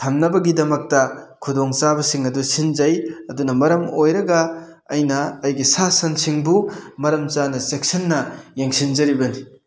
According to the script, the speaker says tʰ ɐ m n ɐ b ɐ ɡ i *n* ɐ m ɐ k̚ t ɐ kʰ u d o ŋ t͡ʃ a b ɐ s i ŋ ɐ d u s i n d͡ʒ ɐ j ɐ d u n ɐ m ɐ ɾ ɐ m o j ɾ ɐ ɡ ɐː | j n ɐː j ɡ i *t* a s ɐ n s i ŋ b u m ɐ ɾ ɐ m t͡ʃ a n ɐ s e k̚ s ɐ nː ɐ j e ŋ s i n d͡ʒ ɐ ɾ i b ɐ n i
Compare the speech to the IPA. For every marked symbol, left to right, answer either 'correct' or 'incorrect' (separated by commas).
incorrect, incorrect